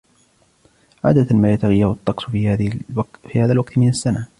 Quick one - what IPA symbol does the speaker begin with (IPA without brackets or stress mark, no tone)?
ʕ